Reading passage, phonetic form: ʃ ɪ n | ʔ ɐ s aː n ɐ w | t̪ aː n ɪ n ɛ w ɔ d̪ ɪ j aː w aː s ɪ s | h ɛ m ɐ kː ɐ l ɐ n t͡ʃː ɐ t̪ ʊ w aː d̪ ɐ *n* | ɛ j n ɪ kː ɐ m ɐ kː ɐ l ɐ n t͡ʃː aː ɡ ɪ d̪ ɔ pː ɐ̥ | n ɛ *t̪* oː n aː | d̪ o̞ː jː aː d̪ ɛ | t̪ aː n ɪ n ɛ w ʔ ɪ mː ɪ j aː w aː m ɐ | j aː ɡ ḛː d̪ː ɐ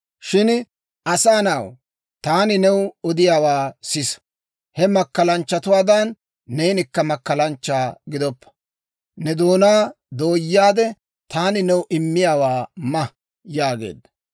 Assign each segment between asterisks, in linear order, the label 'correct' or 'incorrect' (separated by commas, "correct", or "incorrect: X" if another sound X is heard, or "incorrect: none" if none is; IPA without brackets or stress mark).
incorrect: nː, incorrect: d̪